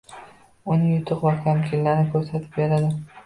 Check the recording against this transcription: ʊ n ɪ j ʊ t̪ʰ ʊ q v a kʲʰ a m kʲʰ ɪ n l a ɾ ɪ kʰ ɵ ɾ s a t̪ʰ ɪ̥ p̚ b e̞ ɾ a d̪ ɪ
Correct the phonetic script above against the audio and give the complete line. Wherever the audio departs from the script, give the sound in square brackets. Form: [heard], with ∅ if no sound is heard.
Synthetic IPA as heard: ʊ n ɪ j ʊ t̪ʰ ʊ q v a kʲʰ a m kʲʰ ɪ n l a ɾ ɪ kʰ ɵ ɾ s a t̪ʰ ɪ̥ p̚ b e̞ ɾ a d̪ ɪ